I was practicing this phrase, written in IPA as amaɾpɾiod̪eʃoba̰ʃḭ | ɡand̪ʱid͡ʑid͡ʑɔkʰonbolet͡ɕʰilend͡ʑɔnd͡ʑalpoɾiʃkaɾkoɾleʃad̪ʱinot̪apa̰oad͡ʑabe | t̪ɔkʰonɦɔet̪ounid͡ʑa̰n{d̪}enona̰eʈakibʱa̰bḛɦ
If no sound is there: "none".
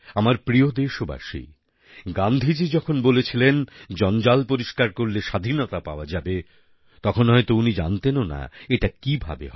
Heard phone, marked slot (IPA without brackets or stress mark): t̪